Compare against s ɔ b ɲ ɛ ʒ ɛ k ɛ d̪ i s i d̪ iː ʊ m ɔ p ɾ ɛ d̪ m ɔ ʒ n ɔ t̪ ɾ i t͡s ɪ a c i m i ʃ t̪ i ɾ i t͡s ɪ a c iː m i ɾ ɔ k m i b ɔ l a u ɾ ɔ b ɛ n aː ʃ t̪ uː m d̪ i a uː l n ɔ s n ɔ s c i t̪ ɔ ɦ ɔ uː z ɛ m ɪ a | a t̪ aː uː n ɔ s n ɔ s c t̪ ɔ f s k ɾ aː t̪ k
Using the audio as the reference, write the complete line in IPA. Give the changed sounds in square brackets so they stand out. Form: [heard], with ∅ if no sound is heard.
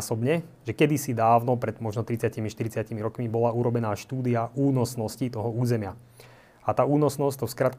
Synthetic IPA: s ɔ b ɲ ɛ ʒ ɛ k ɛ d̪ i s i d̪ [aː] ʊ [n] ɔ p ɾ ɛ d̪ m ɔ ʒ n ɔ t̪ ɾ i t͡s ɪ a c i m i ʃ t̪ i ɾ i t͡s ɪ a c [i] m i ɾ ɔ k m i b ɔ l a u ɾ ɔ b ɛ n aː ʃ t̪ uː [∅] d̪ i a uː [∅] n ɔ s n ɔ s c i t̪ ɔ ɦ ɔ uː z ɛ m ɪ a | a t̪ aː uː n ɔ s n ɔ s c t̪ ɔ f s k ɾ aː t̪ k